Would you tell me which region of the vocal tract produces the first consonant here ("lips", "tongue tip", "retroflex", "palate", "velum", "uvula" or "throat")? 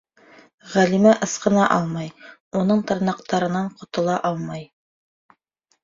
uvula